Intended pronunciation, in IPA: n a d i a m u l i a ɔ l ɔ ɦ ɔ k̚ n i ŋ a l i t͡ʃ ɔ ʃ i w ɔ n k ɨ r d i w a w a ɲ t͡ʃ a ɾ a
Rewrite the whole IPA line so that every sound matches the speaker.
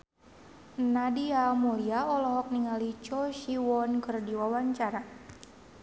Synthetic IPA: n a d i a m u l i a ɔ l ɔ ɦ ɔ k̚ n i ŋ a l i t͡ʃ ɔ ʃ i w ɔ n k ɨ r d i w a w a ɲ t͡ʃ a ɾ a